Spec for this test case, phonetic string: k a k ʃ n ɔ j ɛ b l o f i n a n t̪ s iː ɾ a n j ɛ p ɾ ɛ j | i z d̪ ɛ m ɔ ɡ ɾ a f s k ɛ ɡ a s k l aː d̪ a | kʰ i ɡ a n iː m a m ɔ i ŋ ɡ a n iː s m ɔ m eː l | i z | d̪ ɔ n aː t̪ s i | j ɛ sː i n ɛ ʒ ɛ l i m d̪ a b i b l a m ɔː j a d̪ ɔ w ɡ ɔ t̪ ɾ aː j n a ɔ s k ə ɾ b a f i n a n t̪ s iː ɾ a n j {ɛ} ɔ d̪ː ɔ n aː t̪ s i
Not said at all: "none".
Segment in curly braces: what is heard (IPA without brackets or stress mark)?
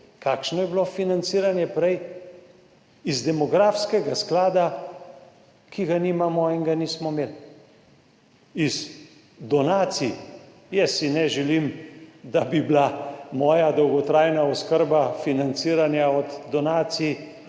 a